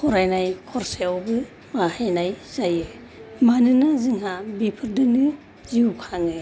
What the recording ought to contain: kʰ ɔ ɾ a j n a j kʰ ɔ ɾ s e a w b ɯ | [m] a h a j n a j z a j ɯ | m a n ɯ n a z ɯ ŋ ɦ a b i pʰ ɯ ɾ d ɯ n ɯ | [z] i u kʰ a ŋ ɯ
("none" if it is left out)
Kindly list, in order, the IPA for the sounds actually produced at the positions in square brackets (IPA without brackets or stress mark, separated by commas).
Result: m, z